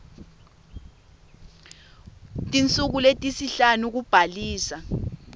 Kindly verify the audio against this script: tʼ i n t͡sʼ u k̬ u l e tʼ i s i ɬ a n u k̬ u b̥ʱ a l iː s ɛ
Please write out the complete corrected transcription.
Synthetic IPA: tʼ i n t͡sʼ u k̬ u l e tʼ i s i ɬ a n u k̬ u b̥ʱ a l iː s a